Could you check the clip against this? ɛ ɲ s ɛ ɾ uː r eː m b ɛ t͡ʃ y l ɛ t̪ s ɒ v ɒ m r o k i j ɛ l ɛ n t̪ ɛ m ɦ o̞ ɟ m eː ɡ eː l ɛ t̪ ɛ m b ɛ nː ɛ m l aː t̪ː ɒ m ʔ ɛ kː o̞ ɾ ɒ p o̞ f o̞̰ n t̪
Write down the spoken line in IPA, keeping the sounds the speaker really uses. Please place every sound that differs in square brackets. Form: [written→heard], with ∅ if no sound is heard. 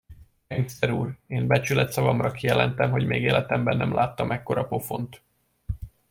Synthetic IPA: ɛ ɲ s ɛ ɾ uː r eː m b ɛ t͡ʃ y l ɛ t̪ s ɒ v ɒ m r [o→ɒ] k i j ɛ l ɛ n t̪ ɛ m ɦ o̞ ɟ m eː ɡ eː l ɛ t̪ ɛ m b ɛ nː ɛ m l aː t̪ː ɒ m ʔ ɛ kː o̞ ɾ ɒ p o̞ f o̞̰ n t̪